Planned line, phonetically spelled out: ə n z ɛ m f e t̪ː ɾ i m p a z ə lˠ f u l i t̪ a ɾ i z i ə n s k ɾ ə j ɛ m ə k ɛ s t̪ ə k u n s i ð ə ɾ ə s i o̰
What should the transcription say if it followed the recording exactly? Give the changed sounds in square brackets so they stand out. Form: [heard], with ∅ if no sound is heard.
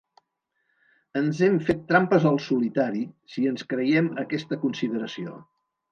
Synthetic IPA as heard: ə n z ɛ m f e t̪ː ɾ [a] m p [ə] z ə lˠ [s] u l i t̪ a ɾ i [s] i ə n s k ɾ ə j ɛ m ə k ɛ s t̪ ə k u n s i ð ə ɾ ə s i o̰